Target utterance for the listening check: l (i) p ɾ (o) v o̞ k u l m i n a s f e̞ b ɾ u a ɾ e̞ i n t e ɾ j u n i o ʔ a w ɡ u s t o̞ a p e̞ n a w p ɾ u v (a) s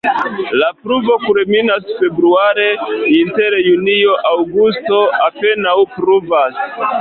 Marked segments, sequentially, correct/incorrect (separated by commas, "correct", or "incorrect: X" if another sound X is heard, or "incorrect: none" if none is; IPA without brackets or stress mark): incorrect: a, incorrect: u, correct